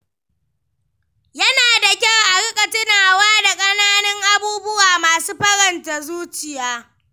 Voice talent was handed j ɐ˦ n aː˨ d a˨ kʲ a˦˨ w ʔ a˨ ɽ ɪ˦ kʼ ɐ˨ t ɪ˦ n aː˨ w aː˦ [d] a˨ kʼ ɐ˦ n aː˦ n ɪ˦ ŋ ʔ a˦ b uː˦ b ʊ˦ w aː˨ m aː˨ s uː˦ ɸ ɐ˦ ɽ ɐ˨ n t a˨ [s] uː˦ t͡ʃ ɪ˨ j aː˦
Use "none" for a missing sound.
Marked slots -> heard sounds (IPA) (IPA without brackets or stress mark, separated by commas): d, z